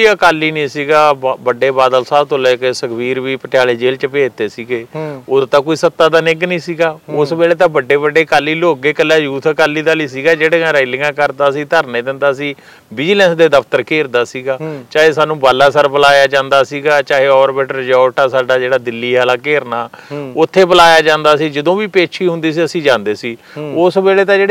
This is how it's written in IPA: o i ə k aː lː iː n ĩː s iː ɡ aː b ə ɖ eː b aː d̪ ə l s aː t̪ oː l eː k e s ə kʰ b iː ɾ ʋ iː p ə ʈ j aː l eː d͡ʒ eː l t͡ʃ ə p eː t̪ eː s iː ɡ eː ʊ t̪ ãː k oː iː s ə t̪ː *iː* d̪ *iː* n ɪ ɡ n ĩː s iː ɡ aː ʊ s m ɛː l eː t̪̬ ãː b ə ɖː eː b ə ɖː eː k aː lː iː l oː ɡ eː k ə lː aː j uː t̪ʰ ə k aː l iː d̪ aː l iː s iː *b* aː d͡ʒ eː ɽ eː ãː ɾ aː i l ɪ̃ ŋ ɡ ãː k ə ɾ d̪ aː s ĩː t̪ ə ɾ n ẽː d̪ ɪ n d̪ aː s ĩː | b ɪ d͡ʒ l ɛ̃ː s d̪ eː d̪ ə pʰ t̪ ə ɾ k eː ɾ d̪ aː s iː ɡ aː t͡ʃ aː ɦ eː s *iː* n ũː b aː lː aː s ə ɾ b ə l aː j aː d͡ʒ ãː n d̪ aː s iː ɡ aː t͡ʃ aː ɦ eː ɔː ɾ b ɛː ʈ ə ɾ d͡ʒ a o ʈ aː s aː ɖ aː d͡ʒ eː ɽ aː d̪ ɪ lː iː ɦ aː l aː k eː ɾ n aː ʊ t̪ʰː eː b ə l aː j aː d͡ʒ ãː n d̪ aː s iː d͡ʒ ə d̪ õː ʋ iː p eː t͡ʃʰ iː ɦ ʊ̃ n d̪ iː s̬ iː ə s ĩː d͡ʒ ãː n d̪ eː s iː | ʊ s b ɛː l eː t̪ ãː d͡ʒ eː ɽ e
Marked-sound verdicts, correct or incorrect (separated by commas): incorrect, incorrect, incorrect, incorrect